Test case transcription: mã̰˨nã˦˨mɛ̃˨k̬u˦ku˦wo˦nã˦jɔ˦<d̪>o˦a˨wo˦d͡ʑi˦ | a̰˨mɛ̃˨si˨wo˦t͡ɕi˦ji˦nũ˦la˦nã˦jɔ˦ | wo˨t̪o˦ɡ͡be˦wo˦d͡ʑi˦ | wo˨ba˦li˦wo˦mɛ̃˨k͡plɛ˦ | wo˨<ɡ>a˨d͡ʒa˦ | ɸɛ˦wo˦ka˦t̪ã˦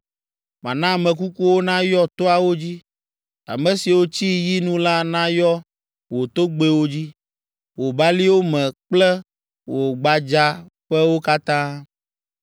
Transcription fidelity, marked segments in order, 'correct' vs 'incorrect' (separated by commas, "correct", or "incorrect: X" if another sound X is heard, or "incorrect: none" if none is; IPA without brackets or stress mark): incorrect: t̪, incorrect: ɡ͡b